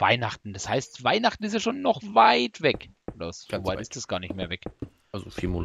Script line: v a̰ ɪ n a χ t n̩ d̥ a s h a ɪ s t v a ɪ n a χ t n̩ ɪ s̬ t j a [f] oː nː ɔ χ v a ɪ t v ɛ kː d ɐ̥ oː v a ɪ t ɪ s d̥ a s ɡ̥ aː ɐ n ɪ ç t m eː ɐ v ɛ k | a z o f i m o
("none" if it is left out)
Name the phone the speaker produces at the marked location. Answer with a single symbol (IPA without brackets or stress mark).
ʃ